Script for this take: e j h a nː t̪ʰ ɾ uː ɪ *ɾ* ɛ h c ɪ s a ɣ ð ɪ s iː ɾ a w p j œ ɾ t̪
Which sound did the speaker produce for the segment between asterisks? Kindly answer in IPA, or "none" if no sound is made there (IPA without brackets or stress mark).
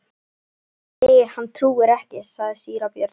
ɾ